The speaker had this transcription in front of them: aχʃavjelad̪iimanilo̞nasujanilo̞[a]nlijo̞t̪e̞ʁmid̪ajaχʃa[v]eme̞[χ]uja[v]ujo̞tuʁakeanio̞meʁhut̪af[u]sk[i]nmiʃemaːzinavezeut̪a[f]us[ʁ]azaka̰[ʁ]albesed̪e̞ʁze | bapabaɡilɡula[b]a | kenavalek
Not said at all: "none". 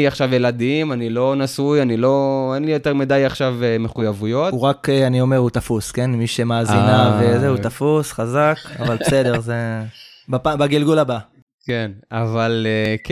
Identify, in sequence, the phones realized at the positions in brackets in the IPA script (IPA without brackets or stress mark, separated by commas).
e, v, χ, v, u, e, f, χ, v, b